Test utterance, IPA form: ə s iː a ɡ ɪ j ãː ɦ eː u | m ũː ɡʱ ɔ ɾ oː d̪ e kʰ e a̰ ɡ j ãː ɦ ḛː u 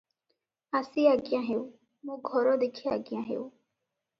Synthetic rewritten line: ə s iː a ɡ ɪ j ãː ɦ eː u | m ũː ɡʱ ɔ ɾ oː d̪ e kʰ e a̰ ɡ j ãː ɦ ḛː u